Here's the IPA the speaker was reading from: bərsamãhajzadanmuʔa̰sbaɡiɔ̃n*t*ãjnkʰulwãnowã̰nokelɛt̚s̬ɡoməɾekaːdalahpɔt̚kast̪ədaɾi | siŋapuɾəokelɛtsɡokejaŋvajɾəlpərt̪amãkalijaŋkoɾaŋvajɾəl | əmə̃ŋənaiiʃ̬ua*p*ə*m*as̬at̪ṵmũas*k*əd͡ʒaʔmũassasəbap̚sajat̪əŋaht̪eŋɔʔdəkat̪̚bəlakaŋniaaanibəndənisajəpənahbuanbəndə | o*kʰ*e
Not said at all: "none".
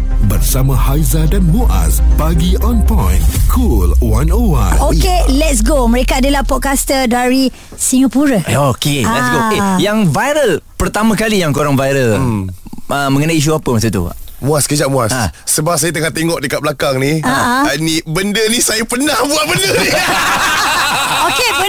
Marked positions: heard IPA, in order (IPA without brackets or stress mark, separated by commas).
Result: p, p, m, k, k